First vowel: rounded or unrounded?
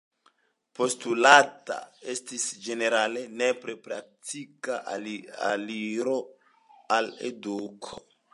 rounded